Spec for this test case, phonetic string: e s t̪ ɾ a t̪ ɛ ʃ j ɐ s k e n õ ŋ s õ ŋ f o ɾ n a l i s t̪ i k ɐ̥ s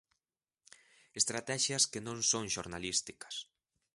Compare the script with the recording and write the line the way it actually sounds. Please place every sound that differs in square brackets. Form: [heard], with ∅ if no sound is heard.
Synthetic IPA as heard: e s t̪ ɾ a t̪ ɛ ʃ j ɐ s k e n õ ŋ s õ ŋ [ʃ] o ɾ n a l i s t̪ i k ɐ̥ s